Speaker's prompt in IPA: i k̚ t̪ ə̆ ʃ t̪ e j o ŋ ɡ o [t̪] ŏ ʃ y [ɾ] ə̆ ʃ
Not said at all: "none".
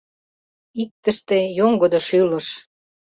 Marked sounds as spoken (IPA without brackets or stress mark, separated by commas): d̪, l